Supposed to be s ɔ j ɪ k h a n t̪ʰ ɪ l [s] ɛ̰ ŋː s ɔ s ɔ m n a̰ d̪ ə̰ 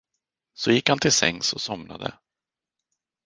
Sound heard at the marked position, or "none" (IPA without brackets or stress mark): s